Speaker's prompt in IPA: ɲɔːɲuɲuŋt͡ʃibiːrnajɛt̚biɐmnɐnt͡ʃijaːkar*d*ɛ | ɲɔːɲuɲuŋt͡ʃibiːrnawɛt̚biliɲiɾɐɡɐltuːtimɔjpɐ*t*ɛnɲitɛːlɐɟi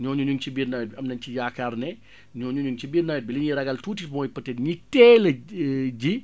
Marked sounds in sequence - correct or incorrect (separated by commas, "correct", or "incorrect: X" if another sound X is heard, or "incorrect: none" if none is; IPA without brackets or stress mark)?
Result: incorrect: n, correct